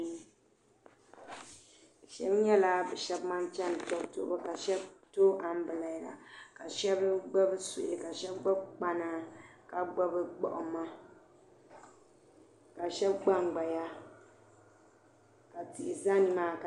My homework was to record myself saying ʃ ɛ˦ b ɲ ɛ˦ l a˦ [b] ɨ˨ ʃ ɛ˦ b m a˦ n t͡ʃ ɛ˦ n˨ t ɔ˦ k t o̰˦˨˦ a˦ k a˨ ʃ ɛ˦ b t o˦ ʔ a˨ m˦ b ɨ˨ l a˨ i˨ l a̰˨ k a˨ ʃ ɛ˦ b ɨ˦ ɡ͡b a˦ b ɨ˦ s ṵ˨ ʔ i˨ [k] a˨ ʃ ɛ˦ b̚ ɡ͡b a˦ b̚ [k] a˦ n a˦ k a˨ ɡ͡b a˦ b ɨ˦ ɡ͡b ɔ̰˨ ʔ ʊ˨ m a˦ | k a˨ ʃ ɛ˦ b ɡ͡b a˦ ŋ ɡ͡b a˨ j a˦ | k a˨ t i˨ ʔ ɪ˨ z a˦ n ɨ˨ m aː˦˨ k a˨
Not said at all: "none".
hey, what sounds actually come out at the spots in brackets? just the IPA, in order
b, k, k͡p

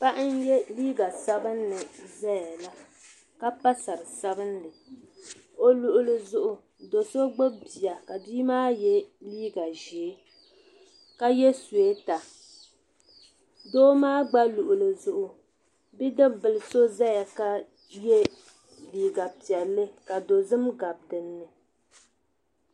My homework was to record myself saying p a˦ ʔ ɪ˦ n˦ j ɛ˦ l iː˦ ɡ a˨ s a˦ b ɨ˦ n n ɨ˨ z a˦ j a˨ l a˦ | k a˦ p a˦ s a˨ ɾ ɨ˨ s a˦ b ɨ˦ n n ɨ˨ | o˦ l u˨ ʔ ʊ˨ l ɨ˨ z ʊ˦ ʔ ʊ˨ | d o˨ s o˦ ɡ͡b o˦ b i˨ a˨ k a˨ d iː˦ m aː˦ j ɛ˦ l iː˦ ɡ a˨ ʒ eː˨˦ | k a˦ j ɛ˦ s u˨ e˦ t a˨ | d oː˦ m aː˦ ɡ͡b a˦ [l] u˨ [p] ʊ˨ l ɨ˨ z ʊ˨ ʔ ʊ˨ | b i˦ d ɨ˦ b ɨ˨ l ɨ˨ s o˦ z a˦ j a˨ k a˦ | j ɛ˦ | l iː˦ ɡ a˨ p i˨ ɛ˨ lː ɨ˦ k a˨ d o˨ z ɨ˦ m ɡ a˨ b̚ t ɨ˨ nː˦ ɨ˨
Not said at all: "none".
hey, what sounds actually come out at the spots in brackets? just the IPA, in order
l, ʔ

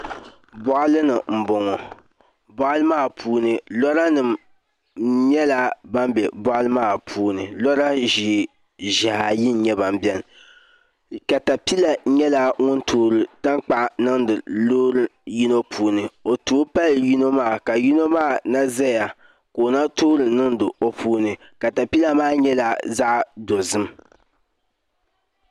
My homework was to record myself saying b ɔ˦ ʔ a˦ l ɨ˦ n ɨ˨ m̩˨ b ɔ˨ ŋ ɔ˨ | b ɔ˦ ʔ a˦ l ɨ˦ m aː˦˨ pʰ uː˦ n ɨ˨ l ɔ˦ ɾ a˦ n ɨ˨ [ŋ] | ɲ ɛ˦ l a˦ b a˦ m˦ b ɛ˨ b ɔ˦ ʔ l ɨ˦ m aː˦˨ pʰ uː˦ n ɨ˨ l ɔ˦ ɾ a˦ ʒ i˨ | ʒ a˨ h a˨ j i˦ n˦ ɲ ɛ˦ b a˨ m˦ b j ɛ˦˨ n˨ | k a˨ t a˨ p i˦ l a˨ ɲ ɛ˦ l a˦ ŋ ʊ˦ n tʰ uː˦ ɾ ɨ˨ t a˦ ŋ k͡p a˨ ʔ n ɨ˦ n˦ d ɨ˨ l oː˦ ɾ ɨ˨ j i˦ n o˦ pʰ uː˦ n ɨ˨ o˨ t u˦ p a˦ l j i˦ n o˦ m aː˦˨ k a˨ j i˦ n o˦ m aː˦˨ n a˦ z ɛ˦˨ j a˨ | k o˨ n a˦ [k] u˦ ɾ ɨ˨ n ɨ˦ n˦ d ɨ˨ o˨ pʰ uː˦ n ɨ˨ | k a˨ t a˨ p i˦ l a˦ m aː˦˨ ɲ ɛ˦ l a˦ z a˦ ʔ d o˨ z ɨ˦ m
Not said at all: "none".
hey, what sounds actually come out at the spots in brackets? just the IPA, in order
m, t

